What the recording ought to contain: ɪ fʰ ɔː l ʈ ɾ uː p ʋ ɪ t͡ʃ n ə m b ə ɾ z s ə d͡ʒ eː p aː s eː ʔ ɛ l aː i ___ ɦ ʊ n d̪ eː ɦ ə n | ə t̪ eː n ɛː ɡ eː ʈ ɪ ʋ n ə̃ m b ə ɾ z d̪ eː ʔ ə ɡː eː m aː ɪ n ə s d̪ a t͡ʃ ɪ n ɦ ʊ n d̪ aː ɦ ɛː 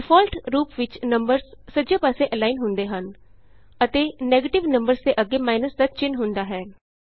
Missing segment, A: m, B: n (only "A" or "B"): B